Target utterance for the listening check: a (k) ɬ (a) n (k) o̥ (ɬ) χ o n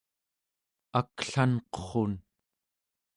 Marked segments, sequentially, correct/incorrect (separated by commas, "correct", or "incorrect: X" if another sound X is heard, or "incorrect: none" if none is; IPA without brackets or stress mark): correct, correct, incorrect: q, incorrect: none